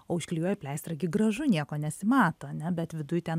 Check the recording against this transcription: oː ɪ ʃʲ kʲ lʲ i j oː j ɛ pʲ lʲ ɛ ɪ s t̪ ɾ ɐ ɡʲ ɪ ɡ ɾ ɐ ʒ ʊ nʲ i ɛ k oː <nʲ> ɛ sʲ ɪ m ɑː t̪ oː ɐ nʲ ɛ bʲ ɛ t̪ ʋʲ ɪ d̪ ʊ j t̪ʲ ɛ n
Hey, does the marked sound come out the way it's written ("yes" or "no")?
yes